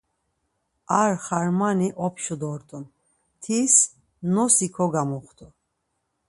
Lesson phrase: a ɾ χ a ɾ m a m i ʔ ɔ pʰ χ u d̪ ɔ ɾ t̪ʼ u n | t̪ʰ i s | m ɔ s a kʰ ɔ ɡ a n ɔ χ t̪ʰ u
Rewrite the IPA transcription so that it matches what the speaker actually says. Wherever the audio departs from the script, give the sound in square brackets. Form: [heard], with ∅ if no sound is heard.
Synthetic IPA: a ɾ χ a ɾ m a [n] i ʔ ɔ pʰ [ʃ] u d̪ ɔ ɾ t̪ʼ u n | t̪ʰ i s | [n] ɔ s [i] kʰ ɔ ɡ a [m] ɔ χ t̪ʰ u